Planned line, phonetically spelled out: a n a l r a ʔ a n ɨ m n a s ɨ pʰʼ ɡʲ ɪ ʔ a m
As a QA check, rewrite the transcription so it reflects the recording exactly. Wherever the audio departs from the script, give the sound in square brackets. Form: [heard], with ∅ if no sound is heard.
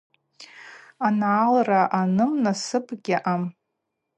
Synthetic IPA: a n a l r a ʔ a n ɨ m n a s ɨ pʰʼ ɡʲ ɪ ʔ a m